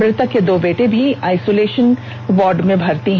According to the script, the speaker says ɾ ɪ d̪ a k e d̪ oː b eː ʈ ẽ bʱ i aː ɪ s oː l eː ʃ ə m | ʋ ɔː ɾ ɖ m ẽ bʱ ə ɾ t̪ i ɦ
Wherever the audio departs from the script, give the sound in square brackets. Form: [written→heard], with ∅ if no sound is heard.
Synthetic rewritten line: ɾ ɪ [d̪→t̪] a k e d̪ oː b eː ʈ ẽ bʱ i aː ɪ s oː l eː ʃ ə [m→n] | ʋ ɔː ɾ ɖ m ẽ bʱ [ə→ɐ] ɾ t̪ i ɦ

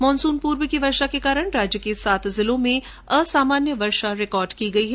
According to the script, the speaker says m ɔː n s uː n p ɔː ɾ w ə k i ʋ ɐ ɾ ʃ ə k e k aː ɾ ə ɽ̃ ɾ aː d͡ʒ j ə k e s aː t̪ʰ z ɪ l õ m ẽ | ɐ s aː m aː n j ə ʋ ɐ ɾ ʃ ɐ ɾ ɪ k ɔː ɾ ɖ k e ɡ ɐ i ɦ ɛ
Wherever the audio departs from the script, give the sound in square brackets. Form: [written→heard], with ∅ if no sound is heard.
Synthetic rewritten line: m ɔː n s uː n p [ɔː→uː] ɾ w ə k i ʋ ɐ ɾ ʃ [ə→a] k e k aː ɾ ə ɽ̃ ɾ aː d͡ʒ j ə k e s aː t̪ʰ z ɪ l õ m ẽ | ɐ s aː m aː n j ə ʋ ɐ ɾ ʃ [ɐ→a] ɾ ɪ k ɔː ɾ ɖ k [e→i] ɡ ɐ i ɦ ɛ

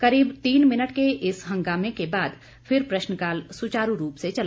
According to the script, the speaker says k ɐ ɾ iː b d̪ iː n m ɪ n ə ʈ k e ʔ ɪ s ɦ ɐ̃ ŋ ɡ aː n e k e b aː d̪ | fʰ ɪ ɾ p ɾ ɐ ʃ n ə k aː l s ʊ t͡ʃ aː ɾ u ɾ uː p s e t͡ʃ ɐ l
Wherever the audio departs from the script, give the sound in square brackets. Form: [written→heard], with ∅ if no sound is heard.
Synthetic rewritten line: k ɐ ɾ iː b [d̪→t̪] iː n m ɪ n ə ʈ k e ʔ ɪ s ɦ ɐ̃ ŋ ɡ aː [n→m] e k e b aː d̪ | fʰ ɪ ɾ p ɾ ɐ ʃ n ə k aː l s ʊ t͡ʃ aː ɾ u ɾ uː p s e t͡ʃ ɐ l

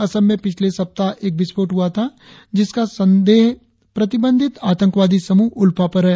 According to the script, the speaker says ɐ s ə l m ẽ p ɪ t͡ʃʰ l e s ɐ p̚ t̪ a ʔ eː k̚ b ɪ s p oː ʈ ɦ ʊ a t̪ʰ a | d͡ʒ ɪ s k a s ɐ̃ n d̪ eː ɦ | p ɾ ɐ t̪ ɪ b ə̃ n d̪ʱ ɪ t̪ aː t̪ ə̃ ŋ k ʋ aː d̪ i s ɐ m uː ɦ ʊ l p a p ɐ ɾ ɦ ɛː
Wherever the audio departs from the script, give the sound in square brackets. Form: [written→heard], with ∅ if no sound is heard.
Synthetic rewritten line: ɐ s ə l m ẽ p ɪ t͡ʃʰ l e s ɐ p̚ t̪ a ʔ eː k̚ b ɪ s p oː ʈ ɦ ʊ a t̪ʰ a | d͡ʒ ɪ s k a s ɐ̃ n d̪ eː ɦ | p ɾ ɐ t̪ ɪ b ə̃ n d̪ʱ ɪ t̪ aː t̪ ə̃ ŋ k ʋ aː d̪ i s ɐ m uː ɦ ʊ l p a p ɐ ɾ ɦ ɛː

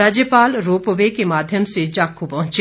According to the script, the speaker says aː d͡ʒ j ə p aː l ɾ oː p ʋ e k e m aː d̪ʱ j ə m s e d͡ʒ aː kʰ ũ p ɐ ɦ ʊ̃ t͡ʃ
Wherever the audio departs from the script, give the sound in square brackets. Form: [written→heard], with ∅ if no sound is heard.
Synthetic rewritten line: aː d͡ʒ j ə p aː l ɾ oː p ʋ e k e m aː d̪ʱ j ə m s e d͡ʒ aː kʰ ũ p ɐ ɦ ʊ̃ t͡ʃ

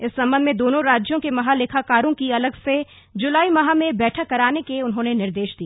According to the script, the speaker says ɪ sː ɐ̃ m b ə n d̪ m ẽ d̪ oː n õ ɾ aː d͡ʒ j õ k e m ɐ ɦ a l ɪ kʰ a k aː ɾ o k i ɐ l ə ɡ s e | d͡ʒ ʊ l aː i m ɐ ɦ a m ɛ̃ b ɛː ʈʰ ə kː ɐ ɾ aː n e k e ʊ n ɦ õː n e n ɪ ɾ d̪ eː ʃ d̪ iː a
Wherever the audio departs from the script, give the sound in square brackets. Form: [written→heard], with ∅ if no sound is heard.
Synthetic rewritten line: ɪ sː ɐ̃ m b ə n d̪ m ẽ d̪ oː n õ ɾ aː d͡ʒ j õ k e m ɐ ɦ a l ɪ kʰ a k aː ɾ [o→õ] k i ɐ l ə ɡ s e | d͡ʒ ʊ l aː i m ɐ ɦ a m [ɛ̃→ẽ] b ɛː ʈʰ ə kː ɐ ɾ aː n e k e ʊ n ɦ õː n e n ɪ ɾ d̪ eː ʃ d̪ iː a

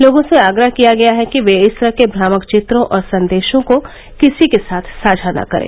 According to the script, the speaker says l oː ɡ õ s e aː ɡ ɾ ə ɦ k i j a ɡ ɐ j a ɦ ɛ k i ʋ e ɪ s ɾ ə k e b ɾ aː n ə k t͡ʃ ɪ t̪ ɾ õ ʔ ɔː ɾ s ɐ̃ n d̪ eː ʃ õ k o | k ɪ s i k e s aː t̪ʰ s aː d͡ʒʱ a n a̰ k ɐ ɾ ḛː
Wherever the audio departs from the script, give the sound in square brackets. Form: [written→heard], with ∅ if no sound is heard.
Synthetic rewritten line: l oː ɡ õ s e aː ɡ ɾ ə ɦ k i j a ɡ ɐ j a ɦ ɛ k i ʋ e ɪ s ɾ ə k e b ɾ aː [n→m] ə k t͡ʃ ɪ t̪ ɾ õ ʔ ɔː ɾ s ɐ̃ n d̪ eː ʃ õ k o | k ɪ s i k e s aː t̪ʰ s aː d͡ʒʱ a n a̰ k ɐ ɾ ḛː

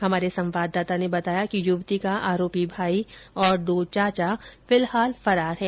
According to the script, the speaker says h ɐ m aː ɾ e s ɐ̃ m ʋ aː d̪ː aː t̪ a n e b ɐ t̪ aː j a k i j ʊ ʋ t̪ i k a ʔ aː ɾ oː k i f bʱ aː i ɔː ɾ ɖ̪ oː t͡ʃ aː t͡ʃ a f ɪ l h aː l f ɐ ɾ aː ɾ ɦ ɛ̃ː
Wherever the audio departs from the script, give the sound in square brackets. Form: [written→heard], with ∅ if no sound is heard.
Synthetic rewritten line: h ɐ m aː ɾ e s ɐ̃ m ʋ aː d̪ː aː t̪ a n e b ɐ t̪ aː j a k i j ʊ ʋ t̪ i k a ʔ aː ɾ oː [k→p] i [f→∅] bʱ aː i ɔː ɾ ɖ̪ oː t͡ʃ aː t͡ʃ a f ɪ l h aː l f ɐ ɾ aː ɾ ɦ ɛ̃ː

